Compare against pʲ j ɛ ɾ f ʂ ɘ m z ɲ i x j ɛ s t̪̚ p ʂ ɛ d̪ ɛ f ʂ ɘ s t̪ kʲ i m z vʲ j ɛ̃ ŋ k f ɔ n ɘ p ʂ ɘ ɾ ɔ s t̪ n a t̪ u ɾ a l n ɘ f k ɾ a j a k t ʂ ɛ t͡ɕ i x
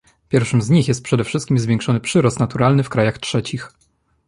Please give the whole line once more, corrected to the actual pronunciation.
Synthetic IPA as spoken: pʲ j ɛ ɾ f ʂ ɘ m z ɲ i x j ɛ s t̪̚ p ʂ ɛ d̪ ɛ f ʂ ɘ s t̪ kʲ i m z vʲ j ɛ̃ ŋ k ʂ ɔ n ɘ p ʂ ɘ ɾ ɔ s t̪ n a t̪ u ɾ a l n ɘ f k ɾ a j a x t ʂ ɛ t͡ɕ i x